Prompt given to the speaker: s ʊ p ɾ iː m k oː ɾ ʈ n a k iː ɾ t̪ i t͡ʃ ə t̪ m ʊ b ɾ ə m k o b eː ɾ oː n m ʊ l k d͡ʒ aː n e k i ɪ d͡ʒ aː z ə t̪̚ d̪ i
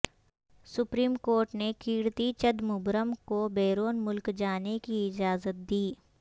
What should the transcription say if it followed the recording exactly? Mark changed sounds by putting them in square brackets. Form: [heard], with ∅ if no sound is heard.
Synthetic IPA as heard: s ʊ p ɾ iː m k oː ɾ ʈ n [e] k iː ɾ t̪ i t͡ʃ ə [d̪] m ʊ b ɾ ə m k o b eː ɾ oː n m ʊ l k d͡ʒ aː n e k i ɪ d͡ʒ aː z ə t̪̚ d̪ [iː]